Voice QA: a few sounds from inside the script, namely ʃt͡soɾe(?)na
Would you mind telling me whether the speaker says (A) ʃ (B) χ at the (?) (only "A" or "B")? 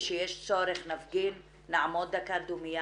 B